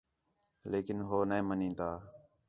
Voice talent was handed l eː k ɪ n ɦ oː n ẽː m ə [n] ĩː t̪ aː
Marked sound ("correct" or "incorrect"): correct